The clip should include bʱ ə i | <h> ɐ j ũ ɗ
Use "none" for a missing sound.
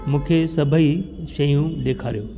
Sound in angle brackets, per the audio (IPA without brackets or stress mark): ʃ